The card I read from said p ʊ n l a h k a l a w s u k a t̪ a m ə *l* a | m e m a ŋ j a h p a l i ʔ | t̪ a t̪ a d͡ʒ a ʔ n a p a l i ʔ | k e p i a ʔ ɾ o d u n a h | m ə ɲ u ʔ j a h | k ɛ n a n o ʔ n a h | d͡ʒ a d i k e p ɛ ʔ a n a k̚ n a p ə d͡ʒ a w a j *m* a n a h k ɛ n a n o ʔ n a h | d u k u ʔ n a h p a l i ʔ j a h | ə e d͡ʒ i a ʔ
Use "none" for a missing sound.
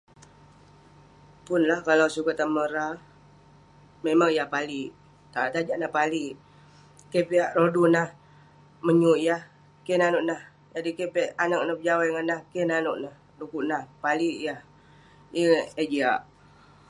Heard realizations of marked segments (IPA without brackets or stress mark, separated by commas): ɾ, ŋ